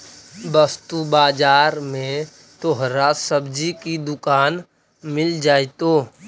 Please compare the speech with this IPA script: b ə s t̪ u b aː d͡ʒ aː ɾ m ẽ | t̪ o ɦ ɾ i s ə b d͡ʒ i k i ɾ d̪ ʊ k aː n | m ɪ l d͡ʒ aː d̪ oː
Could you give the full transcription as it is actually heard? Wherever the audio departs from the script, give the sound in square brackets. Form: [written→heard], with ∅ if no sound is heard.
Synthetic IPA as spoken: b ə s t̪ u b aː d͡ʒ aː ɾ m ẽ | t̪ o ɦ ɾ [i→a] s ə b d͡ʒ i k i [ɾ→∅] d̪ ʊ k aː n | m ɪ l d͡ʒ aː [d̪→t̪] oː